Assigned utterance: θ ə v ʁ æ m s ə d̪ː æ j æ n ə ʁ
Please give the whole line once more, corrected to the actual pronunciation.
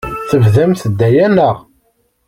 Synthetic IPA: θ ə v ð æ m θ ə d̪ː æ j æ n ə ʁ

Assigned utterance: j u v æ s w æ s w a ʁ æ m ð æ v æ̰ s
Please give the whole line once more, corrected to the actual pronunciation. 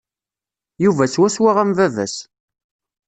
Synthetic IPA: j u v æ s w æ s w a ʁ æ m v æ v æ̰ s

